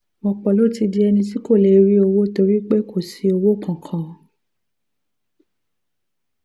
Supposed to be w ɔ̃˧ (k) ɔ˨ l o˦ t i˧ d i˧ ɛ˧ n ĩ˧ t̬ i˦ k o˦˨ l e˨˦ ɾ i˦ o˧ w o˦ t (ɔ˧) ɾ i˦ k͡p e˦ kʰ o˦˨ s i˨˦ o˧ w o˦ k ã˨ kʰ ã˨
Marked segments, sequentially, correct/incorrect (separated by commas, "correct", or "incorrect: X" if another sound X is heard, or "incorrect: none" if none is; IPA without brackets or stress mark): incorrect: k͡p, incorrect: o˧